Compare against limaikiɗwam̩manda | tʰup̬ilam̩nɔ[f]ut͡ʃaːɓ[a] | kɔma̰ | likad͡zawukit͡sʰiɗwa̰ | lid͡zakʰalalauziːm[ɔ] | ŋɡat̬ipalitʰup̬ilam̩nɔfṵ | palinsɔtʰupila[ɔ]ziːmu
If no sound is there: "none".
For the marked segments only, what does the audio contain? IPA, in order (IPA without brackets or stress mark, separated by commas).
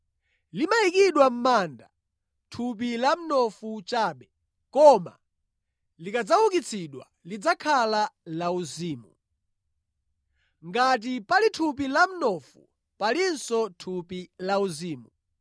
f, ɛ, u, u